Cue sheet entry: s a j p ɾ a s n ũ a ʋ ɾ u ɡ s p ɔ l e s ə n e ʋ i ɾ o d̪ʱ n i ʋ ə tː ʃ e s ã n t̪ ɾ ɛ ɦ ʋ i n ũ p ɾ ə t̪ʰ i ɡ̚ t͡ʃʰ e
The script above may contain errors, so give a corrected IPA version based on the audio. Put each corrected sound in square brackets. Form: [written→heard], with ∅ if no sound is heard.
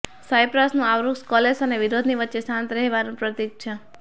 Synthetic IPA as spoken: s a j p ɾ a s n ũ a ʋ ɾ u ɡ s [p→k] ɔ l e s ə n e ʋ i ɾ o d̪ʱ n i ʋ ə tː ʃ e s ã n t̪ ɾ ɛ ɦ ʋ [i→a] n ũ p ɾ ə [t̪ʰ→t̪] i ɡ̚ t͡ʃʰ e